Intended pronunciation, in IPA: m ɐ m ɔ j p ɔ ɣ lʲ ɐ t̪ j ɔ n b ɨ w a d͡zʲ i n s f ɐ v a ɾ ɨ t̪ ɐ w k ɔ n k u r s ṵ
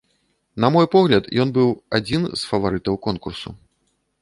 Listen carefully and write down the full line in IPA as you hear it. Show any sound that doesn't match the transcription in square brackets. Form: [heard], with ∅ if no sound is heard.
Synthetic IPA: [n] ɐ m ɔ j p ɔ ɣ lʲ ɐ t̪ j ɔ n b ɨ w a d͡zʲ i n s f ɐ v a ɾ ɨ t̪ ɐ w k ɔ n k u r s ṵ